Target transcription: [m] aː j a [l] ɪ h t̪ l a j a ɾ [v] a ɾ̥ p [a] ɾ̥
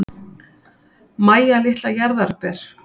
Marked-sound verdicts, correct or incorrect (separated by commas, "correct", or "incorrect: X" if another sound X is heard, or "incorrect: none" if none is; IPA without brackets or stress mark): correct, correct, incorrect: ð, incorrect: ɛ